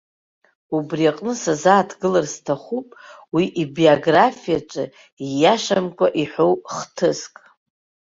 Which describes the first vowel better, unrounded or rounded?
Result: rounded